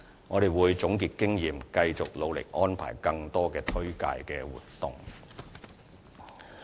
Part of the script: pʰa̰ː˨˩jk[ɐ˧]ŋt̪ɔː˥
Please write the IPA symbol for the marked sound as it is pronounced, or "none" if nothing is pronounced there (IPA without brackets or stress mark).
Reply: ɐ˧